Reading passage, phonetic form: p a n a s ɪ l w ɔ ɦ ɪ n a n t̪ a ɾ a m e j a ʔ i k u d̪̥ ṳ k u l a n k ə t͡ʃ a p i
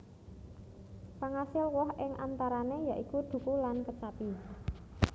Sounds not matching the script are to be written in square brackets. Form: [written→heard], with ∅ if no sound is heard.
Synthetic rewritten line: p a [n→ŋ] a s ɪ l w ɔ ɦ ɪ [n→ŋ] a n t̪ a ɾ a [m→n] e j a ʔ i k u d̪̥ ṳ k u l a n k ə t͡ʃ a p i